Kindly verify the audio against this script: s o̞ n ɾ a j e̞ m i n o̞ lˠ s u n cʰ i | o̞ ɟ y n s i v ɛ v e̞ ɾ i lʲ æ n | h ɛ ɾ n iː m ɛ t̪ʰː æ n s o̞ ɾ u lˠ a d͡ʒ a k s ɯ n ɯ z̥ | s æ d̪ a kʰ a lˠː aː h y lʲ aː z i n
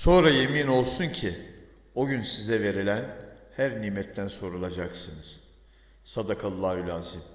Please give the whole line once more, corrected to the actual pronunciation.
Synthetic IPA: s o̞ n ɾ a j e̞ m i n o̞ lˠ s u n cʰ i | o̞ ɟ y n s i z ɛ v e̞ ɾ i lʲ æ n | h æ ɾ n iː m ɛ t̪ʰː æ n s o̞ ɾ u lˠ a d͡ʒ a k s ɯ n ɯ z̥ | s a d̪ a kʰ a lˠː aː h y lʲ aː z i m